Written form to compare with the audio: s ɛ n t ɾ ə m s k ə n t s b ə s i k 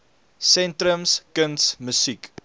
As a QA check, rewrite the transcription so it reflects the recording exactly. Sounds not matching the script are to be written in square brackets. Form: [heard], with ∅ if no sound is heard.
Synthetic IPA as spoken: s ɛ n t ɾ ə m s k ə n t s [m] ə s i k